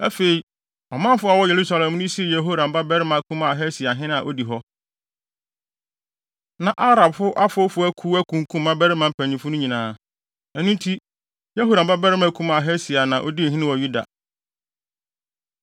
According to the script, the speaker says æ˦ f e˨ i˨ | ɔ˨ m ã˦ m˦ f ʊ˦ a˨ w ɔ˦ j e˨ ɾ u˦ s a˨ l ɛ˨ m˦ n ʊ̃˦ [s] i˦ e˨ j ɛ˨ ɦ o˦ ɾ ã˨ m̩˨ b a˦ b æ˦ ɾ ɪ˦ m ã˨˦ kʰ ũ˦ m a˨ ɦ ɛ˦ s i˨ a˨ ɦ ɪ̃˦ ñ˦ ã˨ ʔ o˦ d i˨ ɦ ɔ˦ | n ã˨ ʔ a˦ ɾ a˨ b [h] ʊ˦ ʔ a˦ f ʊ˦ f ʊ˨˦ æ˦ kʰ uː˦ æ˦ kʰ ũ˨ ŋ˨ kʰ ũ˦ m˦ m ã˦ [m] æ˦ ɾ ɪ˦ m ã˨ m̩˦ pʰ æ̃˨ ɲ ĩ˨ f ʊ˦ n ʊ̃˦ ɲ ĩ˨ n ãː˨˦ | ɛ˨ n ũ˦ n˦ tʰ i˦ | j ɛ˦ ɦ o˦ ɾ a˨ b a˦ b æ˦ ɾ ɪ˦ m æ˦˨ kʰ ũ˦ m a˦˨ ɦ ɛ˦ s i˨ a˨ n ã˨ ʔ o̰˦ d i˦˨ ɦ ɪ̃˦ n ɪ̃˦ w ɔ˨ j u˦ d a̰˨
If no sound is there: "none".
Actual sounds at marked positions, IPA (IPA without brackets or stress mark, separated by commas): s, f, b